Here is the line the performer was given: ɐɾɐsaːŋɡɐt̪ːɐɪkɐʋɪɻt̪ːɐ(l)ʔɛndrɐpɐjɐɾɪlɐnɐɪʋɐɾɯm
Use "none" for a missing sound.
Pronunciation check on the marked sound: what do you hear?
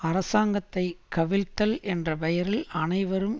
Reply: l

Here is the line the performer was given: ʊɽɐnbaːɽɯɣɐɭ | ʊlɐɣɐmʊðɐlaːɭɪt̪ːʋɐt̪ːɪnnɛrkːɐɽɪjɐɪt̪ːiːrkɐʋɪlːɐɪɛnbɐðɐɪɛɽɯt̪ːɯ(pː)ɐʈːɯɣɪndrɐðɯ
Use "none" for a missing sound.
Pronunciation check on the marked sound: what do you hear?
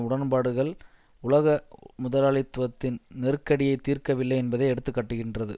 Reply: kː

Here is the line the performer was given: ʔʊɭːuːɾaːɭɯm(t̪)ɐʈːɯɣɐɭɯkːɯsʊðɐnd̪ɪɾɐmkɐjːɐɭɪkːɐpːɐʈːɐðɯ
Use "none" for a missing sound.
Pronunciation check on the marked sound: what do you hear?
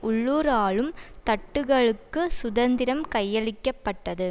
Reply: t̪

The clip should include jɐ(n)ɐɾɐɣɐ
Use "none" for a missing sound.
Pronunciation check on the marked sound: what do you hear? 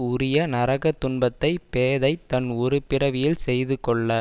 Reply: n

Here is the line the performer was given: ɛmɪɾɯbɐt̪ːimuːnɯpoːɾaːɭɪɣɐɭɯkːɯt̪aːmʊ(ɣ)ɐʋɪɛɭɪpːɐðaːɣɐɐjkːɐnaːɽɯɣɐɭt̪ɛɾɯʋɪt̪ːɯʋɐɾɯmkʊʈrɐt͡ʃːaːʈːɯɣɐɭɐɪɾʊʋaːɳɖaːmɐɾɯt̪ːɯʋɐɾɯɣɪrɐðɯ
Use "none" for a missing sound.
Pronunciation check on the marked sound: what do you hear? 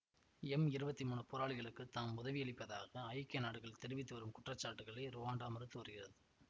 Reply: ð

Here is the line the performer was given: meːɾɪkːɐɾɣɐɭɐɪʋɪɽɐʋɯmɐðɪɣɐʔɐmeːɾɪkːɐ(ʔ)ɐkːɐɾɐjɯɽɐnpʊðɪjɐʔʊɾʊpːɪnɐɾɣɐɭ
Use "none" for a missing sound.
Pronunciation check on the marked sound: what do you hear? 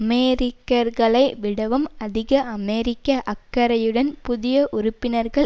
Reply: ʔ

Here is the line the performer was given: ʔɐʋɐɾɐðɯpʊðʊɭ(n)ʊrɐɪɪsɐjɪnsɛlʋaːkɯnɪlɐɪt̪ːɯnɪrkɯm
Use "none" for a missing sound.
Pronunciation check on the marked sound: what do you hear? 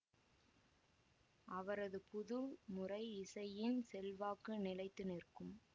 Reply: m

